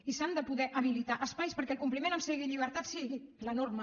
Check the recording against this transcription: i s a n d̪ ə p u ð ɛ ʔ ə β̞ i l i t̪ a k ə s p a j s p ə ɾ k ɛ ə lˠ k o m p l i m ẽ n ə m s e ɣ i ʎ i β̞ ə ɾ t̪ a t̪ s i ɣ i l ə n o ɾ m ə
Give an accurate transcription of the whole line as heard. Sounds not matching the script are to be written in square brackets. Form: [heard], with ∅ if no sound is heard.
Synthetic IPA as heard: i s a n d̪ ə p u ð ɛ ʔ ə β̞ i l i t̪ a [ʔ] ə s p a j s p ə ɾ k ɛ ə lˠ k [u] m p l i m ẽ n ə m s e ɣ i ʎ i β̞ ə ɾ t̪ a t̪ s i ɣ i l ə n o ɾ m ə